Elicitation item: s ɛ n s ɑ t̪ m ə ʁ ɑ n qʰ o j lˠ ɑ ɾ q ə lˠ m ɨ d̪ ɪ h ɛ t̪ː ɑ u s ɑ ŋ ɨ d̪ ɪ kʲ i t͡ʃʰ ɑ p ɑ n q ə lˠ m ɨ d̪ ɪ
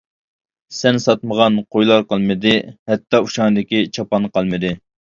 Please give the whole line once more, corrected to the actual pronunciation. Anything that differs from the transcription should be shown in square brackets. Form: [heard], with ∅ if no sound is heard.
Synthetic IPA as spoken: s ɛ n s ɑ t̪ m ə ʁ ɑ n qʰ o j lˠ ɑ ɾ q ə lˠ m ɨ d̪ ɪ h ɛ t̪ː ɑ u [ʃ] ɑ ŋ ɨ d̪ ɪ kʲ i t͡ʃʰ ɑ p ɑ n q [ɑ] lˠ m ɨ d̪ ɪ